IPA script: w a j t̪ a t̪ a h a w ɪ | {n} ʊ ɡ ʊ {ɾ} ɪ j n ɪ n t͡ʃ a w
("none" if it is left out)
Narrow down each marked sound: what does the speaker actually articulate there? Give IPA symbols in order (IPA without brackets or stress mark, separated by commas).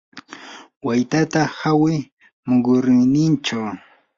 m, ɾ